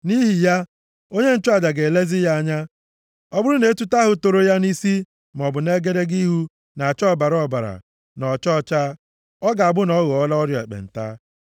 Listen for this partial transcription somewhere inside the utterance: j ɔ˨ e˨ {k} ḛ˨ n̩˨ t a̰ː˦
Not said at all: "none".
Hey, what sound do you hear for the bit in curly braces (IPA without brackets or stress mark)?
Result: k͡p